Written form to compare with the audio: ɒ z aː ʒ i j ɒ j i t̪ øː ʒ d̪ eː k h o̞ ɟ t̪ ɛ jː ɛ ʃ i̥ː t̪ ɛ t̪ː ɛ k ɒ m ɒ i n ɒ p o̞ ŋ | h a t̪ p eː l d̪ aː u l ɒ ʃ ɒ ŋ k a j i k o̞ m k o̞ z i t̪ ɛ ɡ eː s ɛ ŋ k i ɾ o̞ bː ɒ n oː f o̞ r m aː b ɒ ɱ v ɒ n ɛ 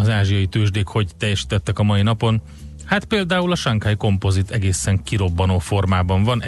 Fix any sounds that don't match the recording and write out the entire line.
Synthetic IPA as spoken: ɒ z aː ʒ i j ɒ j i t̪ øː ʒ d̪ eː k h o̞ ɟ t̪ ɛ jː ɛ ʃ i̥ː t̪ ɛ t̪ː ɛ k ɒ m ɒ i n ɒ p o̞ n | h a t̪ p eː l d̪ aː u l ɒ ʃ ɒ ŋ k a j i k o̞ m p o̞ z i t̪ ɛ ɡ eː s ɛ ŋ k i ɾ o̞ bː ɒ n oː f o̞ r m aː b ɒ ɱ v ɒ n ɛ